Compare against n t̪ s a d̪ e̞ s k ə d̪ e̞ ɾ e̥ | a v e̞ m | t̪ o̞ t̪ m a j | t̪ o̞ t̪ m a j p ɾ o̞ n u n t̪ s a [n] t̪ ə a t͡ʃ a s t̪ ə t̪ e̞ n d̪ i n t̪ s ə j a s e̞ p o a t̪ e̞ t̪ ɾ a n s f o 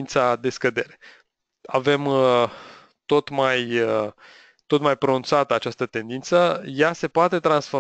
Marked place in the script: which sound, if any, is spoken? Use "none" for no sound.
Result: none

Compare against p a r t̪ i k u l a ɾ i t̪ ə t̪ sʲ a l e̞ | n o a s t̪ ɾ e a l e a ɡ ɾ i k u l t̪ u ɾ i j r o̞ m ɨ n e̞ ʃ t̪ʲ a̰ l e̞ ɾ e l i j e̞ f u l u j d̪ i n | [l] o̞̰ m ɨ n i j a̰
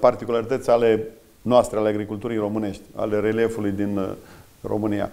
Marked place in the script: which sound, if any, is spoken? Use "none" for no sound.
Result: r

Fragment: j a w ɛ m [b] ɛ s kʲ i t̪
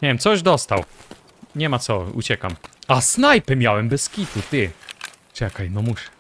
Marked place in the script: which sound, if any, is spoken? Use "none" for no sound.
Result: b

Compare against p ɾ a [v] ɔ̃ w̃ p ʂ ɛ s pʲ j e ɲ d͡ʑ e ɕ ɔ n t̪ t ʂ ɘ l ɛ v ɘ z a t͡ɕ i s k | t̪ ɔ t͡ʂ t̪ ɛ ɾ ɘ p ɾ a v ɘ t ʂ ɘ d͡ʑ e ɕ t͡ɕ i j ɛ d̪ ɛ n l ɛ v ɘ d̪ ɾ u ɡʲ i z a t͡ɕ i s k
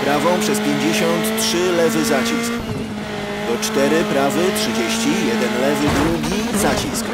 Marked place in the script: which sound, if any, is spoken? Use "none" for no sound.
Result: v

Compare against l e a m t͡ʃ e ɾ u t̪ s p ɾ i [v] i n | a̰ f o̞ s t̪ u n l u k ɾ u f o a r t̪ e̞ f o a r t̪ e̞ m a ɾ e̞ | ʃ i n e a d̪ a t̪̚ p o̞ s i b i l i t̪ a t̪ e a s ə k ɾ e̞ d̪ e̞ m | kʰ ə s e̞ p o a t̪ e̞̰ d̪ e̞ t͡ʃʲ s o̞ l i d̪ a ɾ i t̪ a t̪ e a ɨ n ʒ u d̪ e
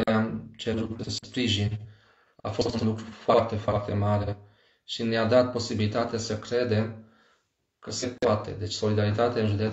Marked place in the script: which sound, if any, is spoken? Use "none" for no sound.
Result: ʒ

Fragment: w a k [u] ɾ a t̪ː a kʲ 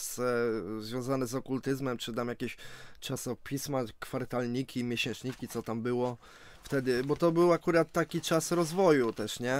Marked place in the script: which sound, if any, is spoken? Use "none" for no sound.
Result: u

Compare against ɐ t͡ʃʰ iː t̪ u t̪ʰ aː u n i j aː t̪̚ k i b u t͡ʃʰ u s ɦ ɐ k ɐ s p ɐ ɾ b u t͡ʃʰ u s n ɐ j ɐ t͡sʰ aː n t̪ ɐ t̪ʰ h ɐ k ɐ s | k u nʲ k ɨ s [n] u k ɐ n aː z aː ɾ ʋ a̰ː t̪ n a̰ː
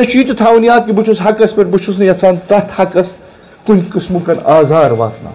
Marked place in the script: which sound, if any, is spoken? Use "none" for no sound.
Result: m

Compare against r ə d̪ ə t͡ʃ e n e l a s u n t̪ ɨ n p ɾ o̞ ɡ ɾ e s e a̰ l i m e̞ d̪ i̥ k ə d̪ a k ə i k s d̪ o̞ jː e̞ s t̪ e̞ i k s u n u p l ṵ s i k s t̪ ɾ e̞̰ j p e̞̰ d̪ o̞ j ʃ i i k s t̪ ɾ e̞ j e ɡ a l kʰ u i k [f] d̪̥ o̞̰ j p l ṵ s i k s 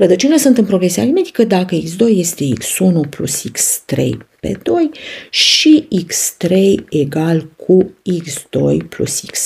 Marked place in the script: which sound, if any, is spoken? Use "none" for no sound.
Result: s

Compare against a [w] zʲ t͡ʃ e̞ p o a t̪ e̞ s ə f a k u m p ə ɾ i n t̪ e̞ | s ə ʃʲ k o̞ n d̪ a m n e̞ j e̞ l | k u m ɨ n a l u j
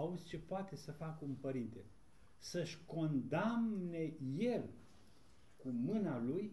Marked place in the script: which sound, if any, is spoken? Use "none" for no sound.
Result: u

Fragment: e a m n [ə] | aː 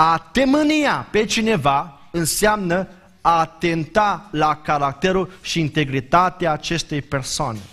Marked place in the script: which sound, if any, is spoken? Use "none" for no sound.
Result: ə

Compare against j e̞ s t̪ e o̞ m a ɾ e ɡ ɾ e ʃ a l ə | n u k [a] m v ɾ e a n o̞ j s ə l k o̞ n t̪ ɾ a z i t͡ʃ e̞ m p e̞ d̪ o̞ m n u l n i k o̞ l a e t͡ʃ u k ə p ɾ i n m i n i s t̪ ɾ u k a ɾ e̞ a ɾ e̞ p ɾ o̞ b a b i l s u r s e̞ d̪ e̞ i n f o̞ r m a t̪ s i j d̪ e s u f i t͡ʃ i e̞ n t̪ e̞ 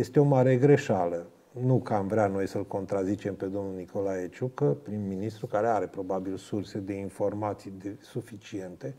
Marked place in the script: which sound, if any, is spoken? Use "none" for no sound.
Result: a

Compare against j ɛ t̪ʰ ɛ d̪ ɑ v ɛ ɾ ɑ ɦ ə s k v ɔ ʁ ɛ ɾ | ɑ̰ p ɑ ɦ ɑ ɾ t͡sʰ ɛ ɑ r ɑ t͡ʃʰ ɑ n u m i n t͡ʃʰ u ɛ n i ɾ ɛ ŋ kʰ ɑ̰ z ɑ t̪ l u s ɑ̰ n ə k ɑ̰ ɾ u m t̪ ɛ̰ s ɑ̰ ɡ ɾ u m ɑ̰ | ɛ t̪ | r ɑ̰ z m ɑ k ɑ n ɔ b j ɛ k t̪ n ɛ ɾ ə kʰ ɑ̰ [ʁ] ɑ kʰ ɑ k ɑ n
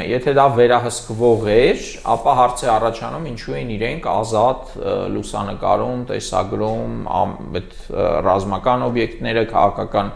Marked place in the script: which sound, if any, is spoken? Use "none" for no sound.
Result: ʁ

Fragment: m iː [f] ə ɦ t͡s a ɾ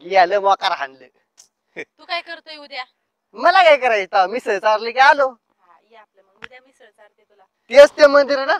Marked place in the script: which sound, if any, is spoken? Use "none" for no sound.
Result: s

